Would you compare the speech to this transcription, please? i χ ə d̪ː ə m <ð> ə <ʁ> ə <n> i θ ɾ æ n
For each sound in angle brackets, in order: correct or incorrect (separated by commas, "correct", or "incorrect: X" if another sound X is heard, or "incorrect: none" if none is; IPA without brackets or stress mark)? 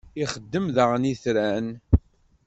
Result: correct, correct, correct